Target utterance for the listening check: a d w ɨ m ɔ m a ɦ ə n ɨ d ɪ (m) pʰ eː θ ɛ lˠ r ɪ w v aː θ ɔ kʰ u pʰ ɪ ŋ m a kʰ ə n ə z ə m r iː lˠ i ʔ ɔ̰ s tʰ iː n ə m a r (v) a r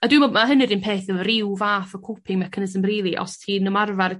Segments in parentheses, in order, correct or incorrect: incorrect: n, correct

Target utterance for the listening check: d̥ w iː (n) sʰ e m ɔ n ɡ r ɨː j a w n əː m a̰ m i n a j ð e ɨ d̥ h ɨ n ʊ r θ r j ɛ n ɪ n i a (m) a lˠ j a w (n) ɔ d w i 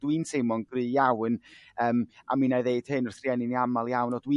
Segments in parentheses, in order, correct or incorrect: correct, correct, correct

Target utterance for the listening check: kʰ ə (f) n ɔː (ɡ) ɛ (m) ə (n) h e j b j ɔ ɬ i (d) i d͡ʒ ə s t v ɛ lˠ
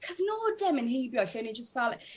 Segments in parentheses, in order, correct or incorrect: incorrect: v, incorrect: d, correct, correct, incorrect: n

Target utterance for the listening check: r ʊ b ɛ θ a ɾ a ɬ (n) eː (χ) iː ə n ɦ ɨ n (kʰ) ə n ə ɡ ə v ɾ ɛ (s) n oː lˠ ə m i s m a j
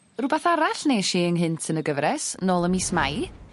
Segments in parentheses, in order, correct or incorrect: correct, incorrect: ʃ, incorrect: tʰ, correct

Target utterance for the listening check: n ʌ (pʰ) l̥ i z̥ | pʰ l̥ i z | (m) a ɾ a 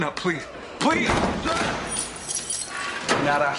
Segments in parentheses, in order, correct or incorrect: correct, incorrect: n

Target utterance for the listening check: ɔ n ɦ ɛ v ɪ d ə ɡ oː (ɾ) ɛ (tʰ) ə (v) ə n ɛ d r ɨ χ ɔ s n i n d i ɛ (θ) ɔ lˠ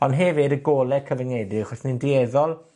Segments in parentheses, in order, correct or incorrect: incorrect: l, incorrect: kʰ, correct, incorrect: ð

